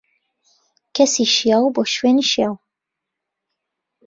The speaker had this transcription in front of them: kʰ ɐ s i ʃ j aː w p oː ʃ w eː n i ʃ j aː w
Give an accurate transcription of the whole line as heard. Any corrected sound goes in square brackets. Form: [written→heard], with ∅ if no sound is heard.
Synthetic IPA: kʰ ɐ s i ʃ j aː w [p→b] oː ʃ w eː n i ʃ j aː w